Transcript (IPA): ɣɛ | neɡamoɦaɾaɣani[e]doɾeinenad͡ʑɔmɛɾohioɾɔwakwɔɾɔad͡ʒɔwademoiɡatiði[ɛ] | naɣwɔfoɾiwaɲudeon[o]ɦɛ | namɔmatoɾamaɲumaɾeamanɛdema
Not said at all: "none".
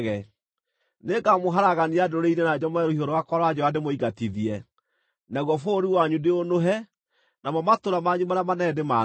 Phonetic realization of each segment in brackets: a, ɛ, o

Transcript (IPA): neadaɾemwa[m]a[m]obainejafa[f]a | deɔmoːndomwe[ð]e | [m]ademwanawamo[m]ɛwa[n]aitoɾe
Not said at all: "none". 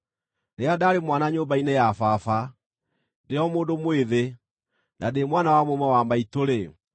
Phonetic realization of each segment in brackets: n, ɲ, f, ð, n, m, m

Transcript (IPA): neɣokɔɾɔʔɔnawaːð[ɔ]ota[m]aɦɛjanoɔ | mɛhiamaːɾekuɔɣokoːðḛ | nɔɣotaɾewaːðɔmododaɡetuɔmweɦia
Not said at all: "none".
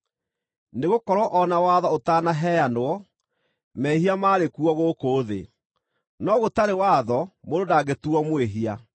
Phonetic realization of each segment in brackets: ɔ, n

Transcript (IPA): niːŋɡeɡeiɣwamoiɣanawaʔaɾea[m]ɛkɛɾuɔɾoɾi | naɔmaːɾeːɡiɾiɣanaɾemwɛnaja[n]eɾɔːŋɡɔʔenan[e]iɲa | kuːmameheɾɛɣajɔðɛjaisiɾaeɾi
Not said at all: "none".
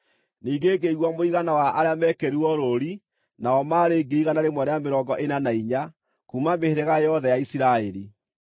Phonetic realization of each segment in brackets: m, m, a

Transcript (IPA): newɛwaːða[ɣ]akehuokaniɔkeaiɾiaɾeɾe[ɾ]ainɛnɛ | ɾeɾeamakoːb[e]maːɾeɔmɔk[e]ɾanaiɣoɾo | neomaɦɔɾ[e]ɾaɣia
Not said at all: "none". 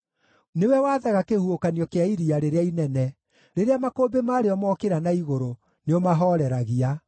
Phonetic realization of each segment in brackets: ɣ, none, e, e, ɛ

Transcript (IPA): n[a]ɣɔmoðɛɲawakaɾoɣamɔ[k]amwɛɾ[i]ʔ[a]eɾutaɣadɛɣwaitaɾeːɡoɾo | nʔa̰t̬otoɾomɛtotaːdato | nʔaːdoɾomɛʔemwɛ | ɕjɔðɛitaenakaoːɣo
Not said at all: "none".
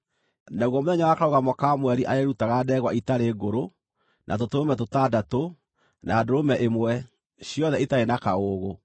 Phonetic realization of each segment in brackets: a, k, i, a

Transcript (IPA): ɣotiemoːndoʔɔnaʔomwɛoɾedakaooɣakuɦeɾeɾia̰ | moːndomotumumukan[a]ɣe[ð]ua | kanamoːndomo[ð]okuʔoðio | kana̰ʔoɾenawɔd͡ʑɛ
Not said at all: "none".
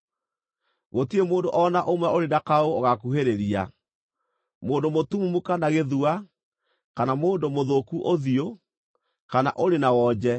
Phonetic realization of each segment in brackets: a, ð, ð

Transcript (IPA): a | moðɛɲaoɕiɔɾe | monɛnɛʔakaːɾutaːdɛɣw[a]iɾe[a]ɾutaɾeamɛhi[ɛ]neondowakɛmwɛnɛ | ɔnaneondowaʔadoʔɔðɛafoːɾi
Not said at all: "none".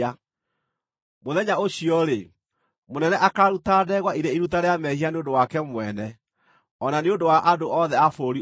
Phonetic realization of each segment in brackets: a, i, a

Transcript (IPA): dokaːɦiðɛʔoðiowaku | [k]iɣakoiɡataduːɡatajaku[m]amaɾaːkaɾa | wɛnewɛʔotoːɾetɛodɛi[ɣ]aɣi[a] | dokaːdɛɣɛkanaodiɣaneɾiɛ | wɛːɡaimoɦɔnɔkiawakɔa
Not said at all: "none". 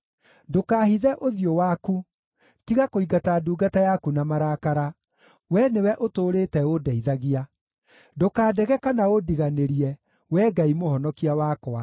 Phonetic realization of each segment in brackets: t, n, ð, a

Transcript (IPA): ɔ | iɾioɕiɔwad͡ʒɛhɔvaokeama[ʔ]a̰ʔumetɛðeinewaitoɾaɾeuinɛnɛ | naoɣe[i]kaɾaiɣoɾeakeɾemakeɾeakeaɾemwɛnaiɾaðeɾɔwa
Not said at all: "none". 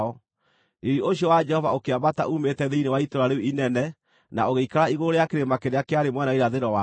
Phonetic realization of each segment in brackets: t, i

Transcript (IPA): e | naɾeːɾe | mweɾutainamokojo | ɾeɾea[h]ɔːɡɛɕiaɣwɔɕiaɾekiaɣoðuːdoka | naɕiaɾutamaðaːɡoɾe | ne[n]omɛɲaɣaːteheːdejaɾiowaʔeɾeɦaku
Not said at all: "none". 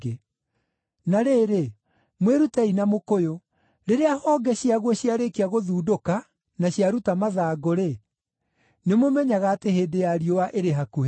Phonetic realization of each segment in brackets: h, m

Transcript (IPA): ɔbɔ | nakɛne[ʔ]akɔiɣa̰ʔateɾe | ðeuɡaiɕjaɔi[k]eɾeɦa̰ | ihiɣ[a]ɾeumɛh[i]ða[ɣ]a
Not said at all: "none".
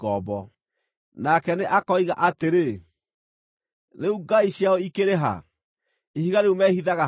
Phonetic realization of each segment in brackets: ʔ, k, a, i, ɣ

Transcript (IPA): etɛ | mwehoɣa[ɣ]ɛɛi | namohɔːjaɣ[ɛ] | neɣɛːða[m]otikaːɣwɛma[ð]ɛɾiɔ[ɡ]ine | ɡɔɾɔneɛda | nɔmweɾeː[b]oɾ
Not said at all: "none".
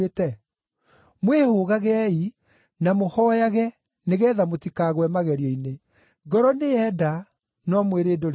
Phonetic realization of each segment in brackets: ɣ, ɛ, m, ɣ, none, d

